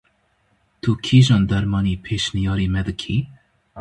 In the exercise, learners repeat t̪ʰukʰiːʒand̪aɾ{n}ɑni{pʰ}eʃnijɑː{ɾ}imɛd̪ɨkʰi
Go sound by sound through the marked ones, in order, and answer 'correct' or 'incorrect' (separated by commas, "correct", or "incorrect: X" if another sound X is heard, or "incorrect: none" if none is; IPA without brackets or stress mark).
incorrect: m, correct, correct